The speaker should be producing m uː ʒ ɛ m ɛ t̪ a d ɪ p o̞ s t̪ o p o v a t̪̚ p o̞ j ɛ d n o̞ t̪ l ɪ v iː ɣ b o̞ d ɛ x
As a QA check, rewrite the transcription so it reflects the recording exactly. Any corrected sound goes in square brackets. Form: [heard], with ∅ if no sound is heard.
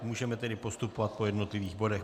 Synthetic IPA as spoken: m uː ʒ ɛ m ɛ t̪ [ɛ] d ɪ p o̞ s t̪ [u] p o v a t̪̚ p o̞ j ɛ d n o̞ t̪ l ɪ v iː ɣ b o̞ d ɛ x